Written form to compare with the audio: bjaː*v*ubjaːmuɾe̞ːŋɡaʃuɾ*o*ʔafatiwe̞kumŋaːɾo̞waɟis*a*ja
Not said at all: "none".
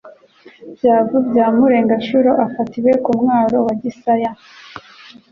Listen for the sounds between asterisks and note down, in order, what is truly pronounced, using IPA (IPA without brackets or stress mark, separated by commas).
v, o, a